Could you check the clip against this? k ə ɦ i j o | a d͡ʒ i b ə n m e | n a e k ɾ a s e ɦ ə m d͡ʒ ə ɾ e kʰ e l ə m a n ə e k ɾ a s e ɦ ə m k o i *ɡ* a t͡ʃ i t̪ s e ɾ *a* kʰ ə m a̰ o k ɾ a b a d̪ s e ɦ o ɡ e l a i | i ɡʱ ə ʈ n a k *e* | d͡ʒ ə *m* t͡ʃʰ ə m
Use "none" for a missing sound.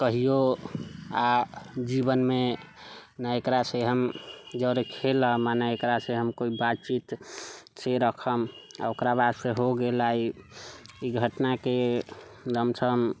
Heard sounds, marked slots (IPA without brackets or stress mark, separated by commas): b, ə, e, m